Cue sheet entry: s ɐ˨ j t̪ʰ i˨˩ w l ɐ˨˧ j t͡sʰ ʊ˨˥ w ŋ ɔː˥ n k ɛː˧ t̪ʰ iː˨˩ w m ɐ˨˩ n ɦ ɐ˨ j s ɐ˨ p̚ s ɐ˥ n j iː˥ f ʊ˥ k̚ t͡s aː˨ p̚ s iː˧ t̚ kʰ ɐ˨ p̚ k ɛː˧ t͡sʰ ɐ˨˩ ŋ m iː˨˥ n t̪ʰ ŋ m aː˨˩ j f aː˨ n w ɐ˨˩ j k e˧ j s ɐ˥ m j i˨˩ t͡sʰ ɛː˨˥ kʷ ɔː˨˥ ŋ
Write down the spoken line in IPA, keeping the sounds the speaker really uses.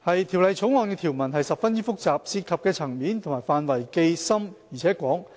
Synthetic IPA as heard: h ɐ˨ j t̪ʰ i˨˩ w l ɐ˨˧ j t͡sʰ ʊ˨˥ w ŋ ɔː˨ n k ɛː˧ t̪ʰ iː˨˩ w m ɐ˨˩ n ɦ ɐ˨ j s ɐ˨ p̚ f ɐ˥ n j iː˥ f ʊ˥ k̚ t͡s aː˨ p̚ s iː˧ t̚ kʰ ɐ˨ p̚ k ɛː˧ t͡sʰ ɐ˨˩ ŋ m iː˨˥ n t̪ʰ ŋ m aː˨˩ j f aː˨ n w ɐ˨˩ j k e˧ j s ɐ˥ m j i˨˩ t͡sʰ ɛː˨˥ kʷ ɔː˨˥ ŋ